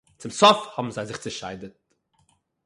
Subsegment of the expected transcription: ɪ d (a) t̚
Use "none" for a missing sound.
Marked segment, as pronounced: ə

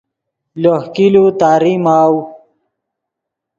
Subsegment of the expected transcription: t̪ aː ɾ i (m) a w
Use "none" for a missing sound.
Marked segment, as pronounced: m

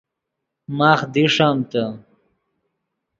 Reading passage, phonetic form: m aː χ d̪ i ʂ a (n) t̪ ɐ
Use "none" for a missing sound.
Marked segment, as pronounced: m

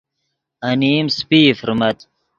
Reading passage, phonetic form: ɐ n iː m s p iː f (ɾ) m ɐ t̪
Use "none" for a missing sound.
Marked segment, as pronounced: ɾ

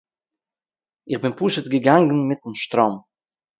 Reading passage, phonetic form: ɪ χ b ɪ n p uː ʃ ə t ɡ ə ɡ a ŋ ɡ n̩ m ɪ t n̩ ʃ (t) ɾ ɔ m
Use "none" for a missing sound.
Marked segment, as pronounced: t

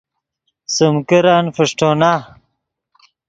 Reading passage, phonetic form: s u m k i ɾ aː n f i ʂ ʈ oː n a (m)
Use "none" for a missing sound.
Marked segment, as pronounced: none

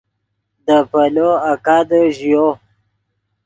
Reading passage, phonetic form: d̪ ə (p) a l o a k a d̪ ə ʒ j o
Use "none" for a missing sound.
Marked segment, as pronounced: p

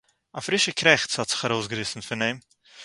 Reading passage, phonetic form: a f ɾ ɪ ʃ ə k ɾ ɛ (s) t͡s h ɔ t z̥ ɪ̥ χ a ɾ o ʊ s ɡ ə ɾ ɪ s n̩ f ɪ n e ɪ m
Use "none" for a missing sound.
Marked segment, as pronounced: χ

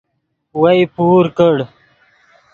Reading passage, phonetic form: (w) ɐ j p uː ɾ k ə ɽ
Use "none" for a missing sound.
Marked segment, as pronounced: w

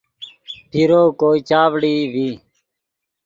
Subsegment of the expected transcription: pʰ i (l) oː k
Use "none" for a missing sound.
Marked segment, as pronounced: ɾ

